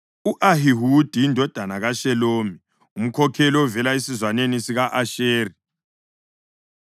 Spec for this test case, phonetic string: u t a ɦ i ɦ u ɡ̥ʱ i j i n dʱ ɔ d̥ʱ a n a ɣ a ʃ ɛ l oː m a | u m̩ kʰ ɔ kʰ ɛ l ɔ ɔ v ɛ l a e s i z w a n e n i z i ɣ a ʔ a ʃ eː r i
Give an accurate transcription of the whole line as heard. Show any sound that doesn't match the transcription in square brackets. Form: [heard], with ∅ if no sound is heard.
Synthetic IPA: u [ʔ] a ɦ i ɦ u [d̥ʱ] i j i n dʱ ɔ d̥ʱ a n a ɣ a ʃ ɛ l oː m [i] | u m̩ kʰ ɔ kʰ ɛ l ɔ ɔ v ɛ l a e s i z w a n e n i [s] i ɣ a ʔ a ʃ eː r i